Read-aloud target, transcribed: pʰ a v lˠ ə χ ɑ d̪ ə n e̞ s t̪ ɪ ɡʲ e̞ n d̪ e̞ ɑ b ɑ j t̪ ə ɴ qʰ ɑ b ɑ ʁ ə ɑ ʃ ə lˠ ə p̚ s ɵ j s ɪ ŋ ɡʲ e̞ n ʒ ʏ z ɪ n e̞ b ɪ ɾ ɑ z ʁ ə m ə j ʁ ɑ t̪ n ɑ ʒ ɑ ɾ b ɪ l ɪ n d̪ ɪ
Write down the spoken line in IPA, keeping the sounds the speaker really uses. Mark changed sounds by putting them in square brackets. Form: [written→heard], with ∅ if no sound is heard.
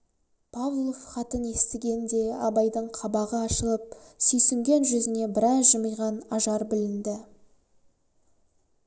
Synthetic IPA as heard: pʰ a v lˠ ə χ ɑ [d̪→t̪] ə n e̞ s t̪ ɪ ɡʲ e̞ n d̪ e̞ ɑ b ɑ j [t̪→d̪] ə ɴ qʰ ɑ b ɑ ʁ ə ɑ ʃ ə lˠ ə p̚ s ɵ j s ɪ ŋ ɡʲ e̞ n ʒ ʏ z ɪ n e̞ b ɪ ɾ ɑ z [ʁ→ʒ] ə m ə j ʁ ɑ [t̪→∅] n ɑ ʒ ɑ ɾ b ɪ l ɪ n d̪ ɪ